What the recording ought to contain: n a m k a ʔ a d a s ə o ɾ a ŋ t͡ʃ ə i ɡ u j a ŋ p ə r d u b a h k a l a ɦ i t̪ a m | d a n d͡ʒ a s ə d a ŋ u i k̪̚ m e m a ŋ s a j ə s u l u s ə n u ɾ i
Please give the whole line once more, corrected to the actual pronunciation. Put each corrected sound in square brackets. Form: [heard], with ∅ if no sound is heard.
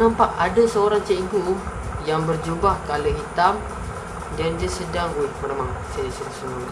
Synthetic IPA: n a m [p] a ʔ a d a s ə o ɾ a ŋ t͡ʃ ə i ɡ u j a ŋ [b] ə r [d͡ʒ] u b a h k a l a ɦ i t̪ a m | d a n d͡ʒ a s ə d a ŋ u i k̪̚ m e m a ŋ s a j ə s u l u s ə n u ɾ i